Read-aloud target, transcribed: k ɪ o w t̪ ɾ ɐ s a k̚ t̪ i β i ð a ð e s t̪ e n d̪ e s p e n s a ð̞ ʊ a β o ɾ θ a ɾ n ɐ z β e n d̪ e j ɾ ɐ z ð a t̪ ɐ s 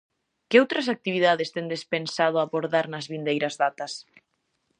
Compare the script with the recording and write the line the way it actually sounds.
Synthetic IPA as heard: k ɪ o w t̪ ɾ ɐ s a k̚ t̪ i β i ð a ð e s t̪ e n d̪ e s p e n s a ð̞ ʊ a β o ɾ ð a ɾ n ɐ z β i n d̪ e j ɾ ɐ z ð a t̪ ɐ s